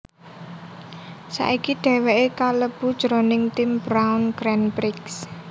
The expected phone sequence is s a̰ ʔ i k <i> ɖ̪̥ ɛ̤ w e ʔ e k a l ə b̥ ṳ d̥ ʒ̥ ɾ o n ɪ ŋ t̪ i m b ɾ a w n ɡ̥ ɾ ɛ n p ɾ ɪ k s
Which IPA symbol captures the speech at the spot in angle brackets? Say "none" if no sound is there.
i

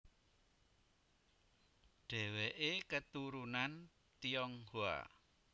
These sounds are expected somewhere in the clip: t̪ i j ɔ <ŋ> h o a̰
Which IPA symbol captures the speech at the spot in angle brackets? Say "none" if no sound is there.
ŋ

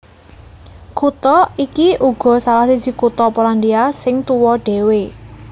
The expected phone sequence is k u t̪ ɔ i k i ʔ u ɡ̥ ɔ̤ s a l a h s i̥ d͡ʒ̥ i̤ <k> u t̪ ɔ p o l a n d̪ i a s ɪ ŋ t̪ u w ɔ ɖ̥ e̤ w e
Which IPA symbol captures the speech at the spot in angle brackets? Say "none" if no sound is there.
k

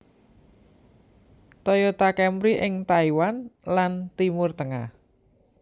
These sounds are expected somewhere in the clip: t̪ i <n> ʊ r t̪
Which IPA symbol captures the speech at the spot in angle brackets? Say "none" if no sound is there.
m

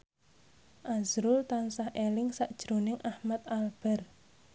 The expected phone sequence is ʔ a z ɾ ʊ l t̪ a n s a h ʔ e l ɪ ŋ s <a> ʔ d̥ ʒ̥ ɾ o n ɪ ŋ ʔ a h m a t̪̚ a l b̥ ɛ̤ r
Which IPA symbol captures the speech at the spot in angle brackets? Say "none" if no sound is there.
a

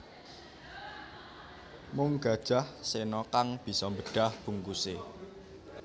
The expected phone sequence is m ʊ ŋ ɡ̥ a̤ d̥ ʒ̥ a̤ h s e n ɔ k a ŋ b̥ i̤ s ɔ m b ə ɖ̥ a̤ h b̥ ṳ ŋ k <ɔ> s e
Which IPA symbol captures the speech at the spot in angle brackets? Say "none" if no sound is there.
u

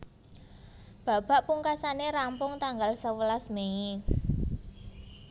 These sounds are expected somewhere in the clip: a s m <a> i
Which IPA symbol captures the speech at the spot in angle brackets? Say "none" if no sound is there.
e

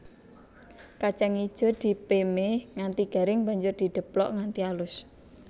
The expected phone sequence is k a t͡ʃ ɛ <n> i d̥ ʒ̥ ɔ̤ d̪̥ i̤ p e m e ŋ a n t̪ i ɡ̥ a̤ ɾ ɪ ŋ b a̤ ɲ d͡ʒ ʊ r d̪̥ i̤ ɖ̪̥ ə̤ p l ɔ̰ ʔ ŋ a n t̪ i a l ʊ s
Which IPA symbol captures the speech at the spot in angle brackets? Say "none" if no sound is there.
ŋ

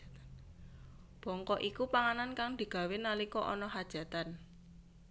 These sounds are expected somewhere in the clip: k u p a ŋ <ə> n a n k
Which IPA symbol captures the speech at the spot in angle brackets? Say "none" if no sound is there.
a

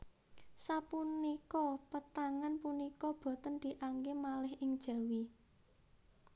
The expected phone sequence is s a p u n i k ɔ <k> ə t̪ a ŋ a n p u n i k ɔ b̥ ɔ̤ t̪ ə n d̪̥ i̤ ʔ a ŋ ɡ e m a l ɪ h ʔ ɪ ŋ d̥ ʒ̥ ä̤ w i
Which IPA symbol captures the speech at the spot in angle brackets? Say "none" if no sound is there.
p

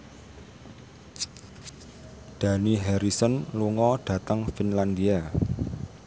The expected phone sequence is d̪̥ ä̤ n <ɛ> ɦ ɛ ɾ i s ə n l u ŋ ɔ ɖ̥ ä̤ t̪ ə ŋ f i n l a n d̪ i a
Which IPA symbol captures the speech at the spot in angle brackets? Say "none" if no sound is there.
i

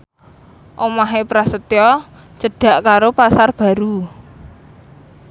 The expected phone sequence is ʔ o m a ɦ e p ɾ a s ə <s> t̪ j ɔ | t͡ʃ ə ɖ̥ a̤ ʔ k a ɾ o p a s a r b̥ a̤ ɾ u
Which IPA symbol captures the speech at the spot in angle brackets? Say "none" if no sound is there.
none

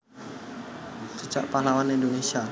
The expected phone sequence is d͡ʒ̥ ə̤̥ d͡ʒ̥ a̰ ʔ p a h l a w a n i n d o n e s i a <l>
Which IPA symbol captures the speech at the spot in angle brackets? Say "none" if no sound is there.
none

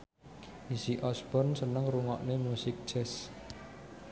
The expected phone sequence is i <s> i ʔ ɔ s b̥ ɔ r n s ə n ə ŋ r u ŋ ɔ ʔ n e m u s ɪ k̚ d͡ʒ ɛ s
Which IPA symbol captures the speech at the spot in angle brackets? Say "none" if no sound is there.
s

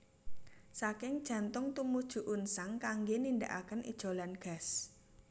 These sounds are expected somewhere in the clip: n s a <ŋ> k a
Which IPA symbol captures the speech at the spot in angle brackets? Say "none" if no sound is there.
ŋ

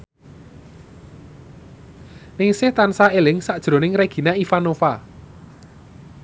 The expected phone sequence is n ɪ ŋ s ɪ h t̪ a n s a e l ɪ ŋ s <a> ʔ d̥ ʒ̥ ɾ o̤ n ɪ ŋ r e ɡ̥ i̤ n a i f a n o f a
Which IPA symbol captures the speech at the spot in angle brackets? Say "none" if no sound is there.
a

